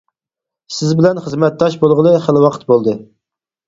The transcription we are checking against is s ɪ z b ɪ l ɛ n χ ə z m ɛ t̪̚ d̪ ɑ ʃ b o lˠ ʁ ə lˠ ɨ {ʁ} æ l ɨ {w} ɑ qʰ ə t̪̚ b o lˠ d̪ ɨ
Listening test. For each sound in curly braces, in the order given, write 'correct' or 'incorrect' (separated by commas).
incorrect, correct